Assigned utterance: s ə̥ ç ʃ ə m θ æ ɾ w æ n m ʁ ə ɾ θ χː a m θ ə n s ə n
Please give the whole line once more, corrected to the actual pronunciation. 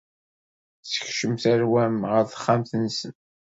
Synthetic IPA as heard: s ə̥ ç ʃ ə m θ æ ɾ w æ m ʁ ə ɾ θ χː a m θ ə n s ə n